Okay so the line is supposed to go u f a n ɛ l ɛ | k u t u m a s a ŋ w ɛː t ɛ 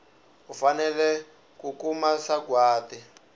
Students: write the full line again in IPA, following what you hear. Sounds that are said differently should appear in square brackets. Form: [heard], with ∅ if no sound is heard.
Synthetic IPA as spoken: u f a n ɛ l ɛ | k u [k] u m a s a [ɡ] w [aː] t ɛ